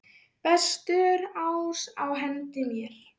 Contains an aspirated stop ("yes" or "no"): no